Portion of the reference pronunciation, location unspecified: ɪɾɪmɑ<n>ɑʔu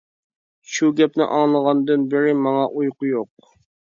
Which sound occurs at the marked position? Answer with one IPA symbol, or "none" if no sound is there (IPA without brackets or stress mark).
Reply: ŋ